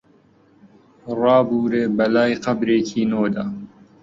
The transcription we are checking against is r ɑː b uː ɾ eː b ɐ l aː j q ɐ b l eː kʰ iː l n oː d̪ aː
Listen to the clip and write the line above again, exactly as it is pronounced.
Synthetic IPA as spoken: r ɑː b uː ɾ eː b ɐ l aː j q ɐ b ɾ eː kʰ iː n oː d̪ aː